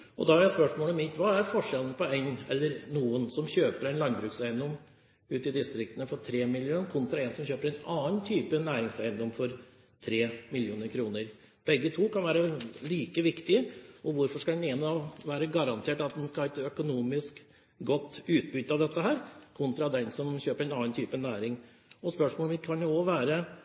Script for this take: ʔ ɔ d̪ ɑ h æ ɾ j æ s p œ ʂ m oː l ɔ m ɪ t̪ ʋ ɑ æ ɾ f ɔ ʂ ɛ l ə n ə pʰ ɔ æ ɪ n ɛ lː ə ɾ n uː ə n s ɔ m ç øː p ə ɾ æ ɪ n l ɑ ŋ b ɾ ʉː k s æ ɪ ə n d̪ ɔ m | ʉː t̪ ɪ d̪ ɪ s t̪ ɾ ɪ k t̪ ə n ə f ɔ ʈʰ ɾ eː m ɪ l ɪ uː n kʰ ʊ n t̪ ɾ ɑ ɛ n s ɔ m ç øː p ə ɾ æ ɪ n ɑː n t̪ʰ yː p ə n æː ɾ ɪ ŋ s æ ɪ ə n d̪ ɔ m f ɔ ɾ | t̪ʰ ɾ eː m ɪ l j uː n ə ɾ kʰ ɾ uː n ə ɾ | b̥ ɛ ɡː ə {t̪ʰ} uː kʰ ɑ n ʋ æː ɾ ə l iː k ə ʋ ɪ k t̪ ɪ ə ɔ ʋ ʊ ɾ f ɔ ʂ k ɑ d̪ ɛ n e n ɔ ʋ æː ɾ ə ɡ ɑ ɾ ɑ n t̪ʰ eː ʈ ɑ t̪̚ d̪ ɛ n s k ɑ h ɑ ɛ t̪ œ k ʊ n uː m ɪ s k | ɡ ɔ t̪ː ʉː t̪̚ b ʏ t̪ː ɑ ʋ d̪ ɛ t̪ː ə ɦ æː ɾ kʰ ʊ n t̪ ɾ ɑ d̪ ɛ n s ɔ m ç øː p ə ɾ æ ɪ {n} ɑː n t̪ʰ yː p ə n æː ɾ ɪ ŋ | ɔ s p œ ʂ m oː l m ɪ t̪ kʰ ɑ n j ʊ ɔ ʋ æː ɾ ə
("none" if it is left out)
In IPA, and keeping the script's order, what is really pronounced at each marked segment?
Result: t̪ʰ, n

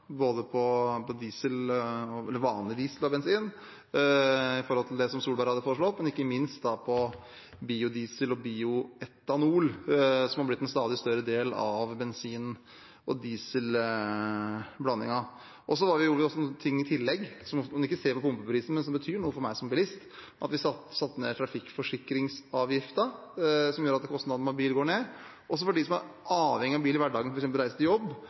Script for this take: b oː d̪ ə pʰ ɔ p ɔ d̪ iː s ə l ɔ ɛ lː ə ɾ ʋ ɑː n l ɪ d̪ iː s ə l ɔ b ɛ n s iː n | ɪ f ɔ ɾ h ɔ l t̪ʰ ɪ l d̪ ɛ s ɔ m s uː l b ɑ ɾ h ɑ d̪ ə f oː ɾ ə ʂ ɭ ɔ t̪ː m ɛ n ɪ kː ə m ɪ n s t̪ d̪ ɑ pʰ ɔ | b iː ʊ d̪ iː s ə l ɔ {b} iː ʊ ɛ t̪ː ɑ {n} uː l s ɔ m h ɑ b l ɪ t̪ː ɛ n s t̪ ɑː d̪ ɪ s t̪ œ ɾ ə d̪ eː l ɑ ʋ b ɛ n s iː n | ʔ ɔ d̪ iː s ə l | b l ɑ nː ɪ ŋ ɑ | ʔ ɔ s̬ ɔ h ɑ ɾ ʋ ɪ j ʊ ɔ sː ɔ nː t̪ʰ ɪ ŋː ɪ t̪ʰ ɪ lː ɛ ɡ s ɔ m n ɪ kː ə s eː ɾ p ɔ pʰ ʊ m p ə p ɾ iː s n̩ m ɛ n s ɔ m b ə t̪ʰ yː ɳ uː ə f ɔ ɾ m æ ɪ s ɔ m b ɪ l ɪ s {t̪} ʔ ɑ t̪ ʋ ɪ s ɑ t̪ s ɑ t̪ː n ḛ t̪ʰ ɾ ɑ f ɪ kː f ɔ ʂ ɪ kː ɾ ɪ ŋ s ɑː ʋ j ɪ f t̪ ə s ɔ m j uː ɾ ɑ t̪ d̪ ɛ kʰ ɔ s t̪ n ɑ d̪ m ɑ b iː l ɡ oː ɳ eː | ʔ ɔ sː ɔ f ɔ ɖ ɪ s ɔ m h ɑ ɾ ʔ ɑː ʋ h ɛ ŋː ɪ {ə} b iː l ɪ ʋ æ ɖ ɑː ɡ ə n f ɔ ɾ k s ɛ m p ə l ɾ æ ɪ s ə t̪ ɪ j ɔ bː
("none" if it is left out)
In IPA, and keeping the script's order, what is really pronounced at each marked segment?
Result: b, n, t̪, ɑ

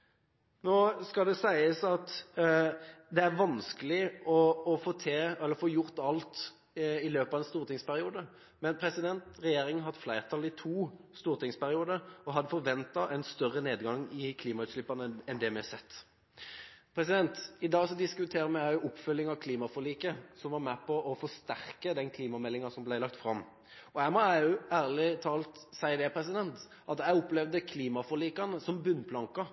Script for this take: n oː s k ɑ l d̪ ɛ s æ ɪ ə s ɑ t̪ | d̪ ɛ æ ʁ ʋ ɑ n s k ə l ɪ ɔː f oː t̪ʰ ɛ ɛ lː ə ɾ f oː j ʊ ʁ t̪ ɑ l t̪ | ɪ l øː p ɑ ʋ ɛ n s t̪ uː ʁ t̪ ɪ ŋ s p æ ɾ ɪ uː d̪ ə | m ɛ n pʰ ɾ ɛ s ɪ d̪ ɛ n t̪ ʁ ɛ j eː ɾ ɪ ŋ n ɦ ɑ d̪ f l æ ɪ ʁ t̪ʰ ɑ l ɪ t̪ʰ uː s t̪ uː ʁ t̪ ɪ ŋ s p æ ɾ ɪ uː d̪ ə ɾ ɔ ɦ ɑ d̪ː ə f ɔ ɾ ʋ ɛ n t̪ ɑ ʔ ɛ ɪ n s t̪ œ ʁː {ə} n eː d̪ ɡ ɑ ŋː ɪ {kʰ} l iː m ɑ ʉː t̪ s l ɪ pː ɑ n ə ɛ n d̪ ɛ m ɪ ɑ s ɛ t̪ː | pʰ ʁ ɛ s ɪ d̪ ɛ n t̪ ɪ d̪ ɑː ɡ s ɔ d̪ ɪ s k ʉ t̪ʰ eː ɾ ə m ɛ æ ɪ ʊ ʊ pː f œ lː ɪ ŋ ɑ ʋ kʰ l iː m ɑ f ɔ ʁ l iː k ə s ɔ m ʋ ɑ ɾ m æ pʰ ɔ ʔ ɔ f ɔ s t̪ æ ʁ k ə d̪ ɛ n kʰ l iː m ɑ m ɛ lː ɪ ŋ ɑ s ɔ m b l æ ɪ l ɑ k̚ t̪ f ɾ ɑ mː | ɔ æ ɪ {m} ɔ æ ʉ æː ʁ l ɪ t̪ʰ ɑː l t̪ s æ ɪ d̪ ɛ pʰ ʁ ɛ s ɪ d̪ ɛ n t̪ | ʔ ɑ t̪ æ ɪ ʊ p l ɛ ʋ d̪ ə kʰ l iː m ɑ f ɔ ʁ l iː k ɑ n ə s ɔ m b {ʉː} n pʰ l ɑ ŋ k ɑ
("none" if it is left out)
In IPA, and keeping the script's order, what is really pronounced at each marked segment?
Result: ə, kʰ, m, ʉ

